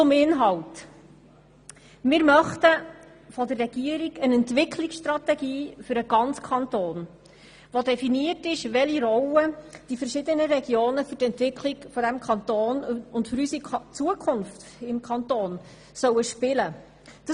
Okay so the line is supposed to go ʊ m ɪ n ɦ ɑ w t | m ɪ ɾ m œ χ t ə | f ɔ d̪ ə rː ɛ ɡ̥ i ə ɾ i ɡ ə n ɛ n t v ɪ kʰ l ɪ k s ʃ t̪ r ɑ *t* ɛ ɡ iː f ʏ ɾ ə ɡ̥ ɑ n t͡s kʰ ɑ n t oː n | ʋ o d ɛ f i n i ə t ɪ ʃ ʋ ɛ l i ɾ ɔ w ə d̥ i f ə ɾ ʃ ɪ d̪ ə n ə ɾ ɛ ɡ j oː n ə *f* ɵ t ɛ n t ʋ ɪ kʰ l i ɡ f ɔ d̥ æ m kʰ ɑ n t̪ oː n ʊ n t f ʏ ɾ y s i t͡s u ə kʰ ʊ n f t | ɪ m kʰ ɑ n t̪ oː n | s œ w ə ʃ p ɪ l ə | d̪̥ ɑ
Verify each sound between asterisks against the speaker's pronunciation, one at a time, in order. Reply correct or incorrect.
correct, correct

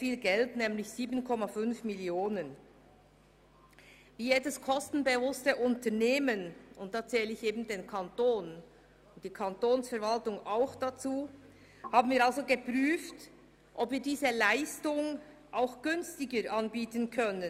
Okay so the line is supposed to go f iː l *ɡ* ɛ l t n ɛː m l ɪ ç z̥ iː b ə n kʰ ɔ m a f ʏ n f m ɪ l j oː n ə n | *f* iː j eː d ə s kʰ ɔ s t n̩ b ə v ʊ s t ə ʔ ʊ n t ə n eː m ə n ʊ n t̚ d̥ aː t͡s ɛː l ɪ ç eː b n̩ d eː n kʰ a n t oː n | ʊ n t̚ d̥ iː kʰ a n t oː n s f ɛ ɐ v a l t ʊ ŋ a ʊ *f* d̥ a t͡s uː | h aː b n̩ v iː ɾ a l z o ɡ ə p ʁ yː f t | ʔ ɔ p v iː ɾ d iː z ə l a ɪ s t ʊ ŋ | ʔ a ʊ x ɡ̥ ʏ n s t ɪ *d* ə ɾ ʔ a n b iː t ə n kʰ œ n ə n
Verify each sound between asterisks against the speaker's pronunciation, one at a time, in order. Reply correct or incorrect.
correct, incorrect, incorrect, incorrect

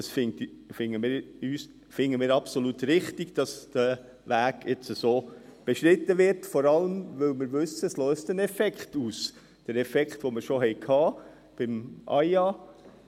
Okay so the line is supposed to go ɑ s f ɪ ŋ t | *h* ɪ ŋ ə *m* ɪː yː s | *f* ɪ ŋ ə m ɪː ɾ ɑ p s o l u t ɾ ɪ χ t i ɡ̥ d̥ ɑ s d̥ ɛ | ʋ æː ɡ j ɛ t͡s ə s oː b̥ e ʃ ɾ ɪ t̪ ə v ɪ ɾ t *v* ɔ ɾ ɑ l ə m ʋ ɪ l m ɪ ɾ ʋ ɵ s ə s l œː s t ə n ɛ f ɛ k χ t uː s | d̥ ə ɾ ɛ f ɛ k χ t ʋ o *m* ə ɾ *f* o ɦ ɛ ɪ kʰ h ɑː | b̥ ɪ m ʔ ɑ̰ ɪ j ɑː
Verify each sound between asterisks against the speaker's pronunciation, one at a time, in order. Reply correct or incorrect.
incorrect, correct, correct, incorrect, correct, incorrect

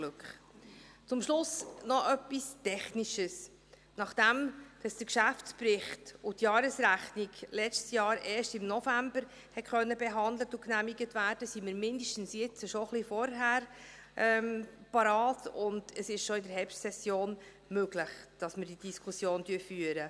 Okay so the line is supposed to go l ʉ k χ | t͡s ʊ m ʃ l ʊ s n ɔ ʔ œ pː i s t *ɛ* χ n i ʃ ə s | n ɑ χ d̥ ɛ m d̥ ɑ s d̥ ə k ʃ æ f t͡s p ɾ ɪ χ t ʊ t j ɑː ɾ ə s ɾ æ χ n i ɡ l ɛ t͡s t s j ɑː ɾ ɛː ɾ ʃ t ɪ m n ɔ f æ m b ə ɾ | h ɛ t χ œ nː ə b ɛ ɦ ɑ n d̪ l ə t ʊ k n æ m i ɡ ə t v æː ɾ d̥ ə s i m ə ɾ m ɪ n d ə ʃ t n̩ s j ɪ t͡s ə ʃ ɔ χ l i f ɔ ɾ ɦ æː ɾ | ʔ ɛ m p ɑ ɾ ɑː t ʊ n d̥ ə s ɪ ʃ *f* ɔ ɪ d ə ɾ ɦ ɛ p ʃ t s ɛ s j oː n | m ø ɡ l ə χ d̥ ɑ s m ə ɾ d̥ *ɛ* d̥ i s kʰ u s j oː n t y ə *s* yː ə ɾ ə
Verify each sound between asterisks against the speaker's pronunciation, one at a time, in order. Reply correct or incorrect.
correct, incorrect, incorrect, incorrect

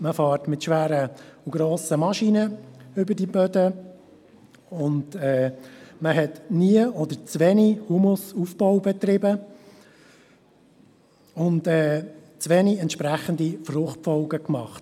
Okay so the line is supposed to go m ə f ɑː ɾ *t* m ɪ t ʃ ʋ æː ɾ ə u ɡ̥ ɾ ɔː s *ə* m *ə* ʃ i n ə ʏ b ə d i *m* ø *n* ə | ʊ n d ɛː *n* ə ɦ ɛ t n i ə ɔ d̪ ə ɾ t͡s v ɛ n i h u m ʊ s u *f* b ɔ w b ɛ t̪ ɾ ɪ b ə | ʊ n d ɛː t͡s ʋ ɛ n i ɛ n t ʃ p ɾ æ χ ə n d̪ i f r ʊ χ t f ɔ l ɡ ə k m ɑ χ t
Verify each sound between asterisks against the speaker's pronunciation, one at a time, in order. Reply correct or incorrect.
correct, correct, incorrect, incorrect, incorrect, incorrect, correct

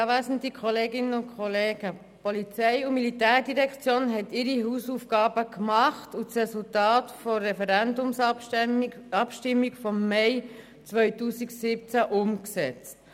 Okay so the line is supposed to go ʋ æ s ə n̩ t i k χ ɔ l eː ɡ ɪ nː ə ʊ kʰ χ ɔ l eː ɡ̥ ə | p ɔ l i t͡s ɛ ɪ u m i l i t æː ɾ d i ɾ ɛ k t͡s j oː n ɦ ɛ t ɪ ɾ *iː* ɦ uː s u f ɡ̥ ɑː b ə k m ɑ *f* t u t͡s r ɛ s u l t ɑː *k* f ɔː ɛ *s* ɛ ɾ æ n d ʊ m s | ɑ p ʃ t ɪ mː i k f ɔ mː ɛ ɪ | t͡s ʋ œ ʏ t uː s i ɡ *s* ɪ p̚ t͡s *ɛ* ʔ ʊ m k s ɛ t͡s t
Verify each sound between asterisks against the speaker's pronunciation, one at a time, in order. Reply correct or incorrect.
incorrect, incorrect, incorrect, incorrect, correct, incorrect

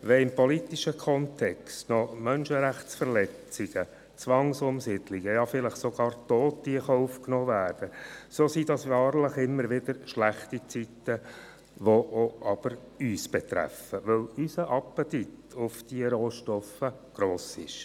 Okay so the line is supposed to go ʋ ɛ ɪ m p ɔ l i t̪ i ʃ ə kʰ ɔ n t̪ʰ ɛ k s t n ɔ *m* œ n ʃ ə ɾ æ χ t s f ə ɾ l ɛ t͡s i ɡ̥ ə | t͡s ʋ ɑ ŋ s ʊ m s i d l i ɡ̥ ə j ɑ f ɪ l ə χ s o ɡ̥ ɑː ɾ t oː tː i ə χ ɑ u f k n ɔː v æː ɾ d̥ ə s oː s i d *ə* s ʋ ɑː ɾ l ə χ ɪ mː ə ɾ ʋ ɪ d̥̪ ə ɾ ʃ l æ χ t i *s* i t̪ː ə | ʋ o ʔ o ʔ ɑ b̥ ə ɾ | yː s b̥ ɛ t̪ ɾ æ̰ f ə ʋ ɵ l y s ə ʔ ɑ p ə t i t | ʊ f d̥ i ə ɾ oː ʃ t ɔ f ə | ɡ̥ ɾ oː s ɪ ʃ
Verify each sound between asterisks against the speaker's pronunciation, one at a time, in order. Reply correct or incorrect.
correct, incorrect, incorrect

